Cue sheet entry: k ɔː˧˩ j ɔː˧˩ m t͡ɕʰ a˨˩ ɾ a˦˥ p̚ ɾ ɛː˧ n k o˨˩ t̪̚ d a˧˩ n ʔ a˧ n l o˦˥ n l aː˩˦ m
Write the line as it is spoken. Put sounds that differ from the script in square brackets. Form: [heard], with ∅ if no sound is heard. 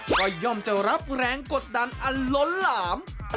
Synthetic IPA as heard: k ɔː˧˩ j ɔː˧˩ m [t͡ɕ] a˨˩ ɾ a˦˥ p̚ ɾ ɛː˧ [ŋ] k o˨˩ t̪̚ d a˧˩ n ʔ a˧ n l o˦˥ n l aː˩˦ m